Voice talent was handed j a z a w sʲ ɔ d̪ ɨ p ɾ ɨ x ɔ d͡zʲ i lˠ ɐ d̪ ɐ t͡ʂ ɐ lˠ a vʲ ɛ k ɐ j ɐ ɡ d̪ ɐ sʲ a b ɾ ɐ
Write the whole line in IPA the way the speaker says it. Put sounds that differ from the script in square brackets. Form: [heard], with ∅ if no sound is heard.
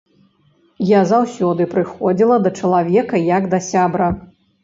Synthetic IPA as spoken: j a z a w sʲ ɔ d̪ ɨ p ɾ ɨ x ɔ d͡zʲ i lˠ ɐ d̪ ɐ t͡ʂ ɐ lˠ a vʲ ɛ k ɐ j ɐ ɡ d̪ ɐ sʲ a b ɾ ɐ